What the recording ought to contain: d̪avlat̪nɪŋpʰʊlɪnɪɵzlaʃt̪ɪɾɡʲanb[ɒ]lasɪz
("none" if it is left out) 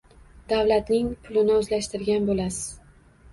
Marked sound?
o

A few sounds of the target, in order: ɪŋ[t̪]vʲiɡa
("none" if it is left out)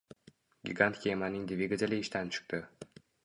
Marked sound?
d̪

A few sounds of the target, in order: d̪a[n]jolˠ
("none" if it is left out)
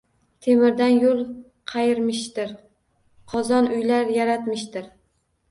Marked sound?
n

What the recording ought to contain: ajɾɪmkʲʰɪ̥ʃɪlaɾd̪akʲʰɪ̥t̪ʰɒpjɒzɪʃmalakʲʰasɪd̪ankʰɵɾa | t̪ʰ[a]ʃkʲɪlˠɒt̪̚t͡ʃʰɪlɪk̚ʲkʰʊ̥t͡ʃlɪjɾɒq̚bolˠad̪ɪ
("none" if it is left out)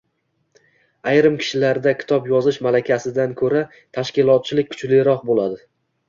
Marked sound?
a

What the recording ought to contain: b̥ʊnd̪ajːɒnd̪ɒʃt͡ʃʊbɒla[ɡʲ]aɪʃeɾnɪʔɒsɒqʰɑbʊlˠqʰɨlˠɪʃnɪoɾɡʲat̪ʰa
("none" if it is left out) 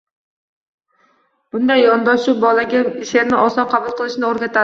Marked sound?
ɡʲ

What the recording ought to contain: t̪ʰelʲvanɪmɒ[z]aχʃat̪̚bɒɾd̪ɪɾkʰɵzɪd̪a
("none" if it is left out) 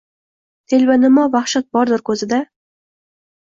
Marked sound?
v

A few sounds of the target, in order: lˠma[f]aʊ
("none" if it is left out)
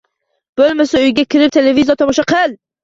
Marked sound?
s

